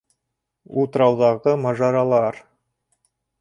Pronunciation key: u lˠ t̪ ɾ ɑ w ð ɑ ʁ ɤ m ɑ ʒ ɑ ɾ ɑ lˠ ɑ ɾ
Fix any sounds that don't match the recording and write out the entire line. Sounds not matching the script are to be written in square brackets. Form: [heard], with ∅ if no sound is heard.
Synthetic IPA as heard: u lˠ t̪ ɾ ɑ w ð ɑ ʁ ɤ m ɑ ʒ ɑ ɾ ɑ lˠ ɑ ɾ